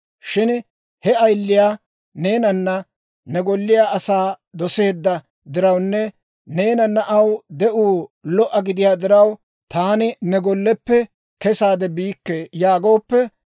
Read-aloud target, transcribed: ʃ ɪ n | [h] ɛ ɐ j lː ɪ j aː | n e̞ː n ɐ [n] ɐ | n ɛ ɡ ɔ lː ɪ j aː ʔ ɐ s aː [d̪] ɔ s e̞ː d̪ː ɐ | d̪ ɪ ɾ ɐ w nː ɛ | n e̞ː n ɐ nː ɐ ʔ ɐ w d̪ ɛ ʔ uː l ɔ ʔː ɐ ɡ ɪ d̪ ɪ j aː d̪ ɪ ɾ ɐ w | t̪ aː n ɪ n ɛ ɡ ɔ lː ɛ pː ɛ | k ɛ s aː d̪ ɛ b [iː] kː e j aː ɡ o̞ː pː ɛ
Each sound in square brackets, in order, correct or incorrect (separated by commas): correct, incorrect, correct, correct